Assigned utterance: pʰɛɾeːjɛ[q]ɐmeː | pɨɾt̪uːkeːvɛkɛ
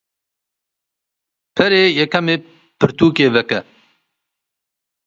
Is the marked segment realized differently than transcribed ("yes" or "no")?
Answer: yes